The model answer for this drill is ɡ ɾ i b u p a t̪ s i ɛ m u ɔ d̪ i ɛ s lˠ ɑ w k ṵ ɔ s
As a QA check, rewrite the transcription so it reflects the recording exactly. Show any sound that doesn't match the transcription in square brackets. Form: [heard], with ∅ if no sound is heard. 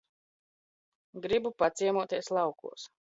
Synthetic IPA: ɡ ɾ i b u p a t̪ s i ɛ m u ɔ [t̪] i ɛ s lˠ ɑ w k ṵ ɔ s